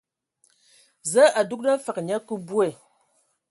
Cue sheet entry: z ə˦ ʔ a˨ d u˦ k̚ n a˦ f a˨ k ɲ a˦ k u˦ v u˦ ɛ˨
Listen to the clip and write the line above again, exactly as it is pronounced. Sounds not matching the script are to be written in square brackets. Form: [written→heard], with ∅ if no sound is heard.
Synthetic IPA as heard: z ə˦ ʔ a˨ d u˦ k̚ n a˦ f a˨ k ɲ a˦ k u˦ [v→b] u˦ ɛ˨